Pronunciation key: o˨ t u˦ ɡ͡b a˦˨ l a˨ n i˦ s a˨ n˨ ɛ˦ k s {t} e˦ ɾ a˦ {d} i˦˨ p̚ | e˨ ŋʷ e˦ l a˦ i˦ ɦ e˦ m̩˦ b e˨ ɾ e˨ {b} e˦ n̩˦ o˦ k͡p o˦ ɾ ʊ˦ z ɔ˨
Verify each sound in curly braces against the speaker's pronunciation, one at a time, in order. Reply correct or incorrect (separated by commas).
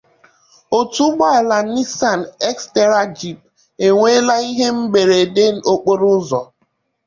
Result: correct, incorrect, incorrect